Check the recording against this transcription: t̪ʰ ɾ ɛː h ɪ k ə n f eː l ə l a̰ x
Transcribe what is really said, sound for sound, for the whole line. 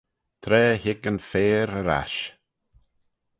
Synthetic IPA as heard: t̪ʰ ɾ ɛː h ɪ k ə n f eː ɾ ə ɾ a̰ ʃ